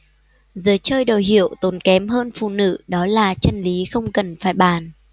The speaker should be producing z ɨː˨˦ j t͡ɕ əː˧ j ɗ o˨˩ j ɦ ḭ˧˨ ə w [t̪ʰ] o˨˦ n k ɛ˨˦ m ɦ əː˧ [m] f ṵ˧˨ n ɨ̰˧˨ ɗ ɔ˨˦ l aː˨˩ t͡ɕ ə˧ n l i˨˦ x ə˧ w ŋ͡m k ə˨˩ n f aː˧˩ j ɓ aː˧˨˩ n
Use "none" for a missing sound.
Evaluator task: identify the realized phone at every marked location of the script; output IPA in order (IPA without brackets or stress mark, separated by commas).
t̪, n